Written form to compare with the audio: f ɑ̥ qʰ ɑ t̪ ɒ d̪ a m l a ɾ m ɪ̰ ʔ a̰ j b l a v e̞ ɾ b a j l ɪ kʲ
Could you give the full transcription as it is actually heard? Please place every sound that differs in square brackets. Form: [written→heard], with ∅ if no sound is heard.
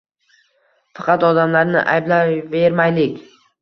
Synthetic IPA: f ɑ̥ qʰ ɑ t̪ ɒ d̪ a m l a ɾ [m→n] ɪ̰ ʔ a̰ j b l a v e̞ ɾ [b→m] a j l ɪ kʲ